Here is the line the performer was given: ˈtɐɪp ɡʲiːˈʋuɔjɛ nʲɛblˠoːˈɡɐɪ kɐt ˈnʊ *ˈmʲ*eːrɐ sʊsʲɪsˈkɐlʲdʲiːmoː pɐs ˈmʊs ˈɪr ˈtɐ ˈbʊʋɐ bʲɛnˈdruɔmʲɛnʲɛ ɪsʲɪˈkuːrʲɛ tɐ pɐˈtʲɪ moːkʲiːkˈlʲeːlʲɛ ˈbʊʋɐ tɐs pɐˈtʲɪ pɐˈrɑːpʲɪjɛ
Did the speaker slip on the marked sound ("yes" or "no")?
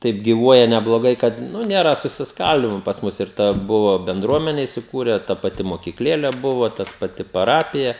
yes